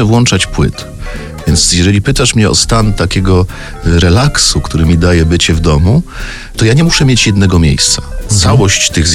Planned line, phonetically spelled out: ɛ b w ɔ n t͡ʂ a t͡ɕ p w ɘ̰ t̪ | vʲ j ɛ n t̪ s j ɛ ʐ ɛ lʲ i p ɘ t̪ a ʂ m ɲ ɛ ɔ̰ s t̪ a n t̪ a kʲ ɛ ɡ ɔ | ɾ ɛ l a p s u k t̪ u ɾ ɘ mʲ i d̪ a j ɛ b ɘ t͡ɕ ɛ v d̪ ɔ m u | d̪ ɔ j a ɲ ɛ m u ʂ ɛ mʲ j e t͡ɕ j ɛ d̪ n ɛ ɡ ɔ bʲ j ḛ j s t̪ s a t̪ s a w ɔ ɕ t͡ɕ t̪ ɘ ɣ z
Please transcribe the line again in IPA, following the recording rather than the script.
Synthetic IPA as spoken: ɛ v w ɔ n t͡ʂ a t͡ɕ p w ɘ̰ t̪ | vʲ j ɛ n t̪ s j ɛ ʐ ɛ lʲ i p ɘ t̪ a ʂ m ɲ ɛ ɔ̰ s t̪ a n t̪ a kʲ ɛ ɡ ɔ | ɾ ɛ l a k s u k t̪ u ɾ ɘ mʲ i d̪ a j ɛ b ɘ t͡ɕ ɛ v d̪ ɔ m u | t̪ ɔ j a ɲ ɛ m u ʂ ɛ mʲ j e t͡ɕ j ɛ d̪ n ɛ ɡ ɔ mʲ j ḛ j s t̪ s a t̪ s a w ɔ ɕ t͡ɕ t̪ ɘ ɣ z